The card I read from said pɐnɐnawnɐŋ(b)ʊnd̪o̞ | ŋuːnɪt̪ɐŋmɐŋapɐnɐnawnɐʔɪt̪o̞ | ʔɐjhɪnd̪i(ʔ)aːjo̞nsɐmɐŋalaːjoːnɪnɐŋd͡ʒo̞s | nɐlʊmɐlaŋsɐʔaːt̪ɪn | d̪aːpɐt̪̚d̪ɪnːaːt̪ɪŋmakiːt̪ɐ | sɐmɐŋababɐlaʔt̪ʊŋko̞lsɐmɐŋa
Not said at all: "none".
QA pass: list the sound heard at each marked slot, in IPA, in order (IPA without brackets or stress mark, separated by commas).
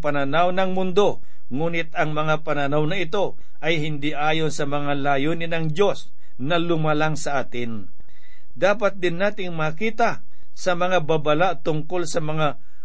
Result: m, ʔ